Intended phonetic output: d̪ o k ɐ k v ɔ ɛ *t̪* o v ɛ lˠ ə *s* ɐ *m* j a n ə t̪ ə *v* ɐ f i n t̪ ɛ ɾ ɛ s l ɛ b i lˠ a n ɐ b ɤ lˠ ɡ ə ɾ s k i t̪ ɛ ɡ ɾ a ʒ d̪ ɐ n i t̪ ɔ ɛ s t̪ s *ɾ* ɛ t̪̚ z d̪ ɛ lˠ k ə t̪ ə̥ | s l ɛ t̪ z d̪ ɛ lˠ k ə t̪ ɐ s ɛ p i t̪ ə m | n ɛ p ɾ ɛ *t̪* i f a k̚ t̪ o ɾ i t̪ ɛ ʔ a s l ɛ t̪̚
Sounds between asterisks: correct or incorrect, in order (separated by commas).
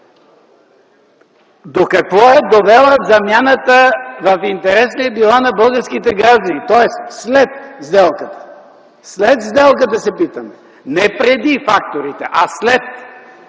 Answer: incorrect, incorrect, correct, correct, incorrect, incorrect